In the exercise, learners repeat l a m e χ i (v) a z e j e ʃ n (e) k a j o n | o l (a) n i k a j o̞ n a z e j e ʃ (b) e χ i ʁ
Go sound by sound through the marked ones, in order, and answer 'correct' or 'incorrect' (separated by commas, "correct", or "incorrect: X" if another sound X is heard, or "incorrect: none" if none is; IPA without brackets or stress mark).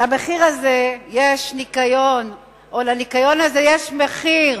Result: incorrect: ʁ, incorrect: i, correct, incorrect: m